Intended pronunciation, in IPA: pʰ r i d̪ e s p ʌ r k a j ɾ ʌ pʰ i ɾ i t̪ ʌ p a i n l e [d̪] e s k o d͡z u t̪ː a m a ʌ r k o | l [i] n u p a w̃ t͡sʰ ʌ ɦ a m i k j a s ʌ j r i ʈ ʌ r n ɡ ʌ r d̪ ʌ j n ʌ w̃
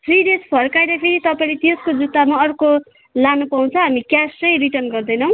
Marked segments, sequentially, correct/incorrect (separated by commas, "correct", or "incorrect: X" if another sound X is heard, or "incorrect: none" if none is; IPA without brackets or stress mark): incorrect: t̪, incorrect: a